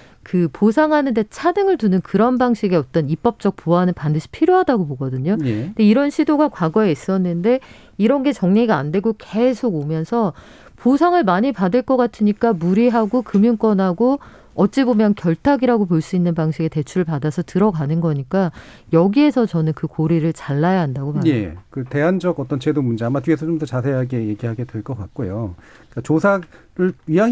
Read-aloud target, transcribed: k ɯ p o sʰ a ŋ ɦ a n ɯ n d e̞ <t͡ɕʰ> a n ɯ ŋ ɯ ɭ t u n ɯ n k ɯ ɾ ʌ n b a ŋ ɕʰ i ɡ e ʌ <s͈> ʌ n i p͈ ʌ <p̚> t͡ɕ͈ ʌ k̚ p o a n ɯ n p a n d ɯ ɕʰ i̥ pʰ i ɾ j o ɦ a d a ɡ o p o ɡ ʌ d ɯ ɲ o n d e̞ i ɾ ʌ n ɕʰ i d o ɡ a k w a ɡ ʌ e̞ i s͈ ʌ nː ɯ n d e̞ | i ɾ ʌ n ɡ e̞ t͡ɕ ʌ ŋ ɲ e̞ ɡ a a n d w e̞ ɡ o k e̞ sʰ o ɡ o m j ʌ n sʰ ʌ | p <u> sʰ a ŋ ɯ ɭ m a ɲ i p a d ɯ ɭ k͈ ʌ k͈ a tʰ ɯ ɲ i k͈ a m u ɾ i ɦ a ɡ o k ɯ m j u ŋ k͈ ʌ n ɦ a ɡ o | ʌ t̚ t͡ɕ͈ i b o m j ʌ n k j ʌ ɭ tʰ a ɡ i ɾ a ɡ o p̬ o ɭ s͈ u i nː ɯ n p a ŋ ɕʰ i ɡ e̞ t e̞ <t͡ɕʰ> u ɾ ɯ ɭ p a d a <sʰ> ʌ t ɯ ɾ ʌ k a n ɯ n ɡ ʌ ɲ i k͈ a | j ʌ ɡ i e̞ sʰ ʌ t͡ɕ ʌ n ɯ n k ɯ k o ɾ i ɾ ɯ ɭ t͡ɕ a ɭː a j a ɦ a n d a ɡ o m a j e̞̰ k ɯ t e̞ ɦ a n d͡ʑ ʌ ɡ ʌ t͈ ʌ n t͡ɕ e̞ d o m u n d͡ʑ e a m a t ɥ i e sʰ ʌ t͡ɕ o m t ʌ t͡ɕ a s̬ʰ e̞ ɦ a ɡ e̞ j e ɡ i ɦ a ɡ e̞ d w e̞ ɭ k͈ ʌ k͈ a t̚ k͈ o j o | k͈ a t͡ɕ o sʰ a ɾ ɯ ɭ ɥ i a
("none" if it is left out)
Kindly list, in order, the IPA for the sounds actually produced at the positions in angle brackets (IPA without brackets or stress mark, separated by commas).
t͡ɕʰ, t͈, p̚, o, t͡ɕʰ, sʰ